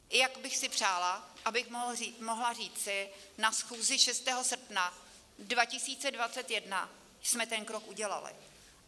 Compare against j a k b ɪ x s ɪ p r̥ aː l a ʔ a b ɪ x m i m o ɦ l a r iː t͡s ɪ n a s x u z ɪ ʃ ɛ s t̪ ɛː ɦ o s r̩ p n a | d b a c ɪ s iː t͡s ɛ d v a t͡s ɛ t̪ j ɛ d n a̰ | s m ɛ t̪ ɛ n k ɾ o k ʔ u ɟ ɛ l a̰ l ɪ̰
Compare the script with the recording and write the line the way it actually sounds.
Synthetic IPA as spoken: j a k b ɪ x s ɪ p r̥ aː l a ʔ a b ɪ x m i m o ɦ l a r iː t͡s ɪ n a s x uː z ɪ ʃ ɛ s t̪ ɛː ɦ o s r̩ p n a | d v a c ɪ s iː t͡s ɛ d v a t͡s ɛ t̪ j ɛ d n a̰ | s m ɛ t̪ ɛ n k ɾ o k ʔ u ɟ ɛ l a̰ l ɪ̰